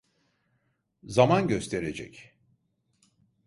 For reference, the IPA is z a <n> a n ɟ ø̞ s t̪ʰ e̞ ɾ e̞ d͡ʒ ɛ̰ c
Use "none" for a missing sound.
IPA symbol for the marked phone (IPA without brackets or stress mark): m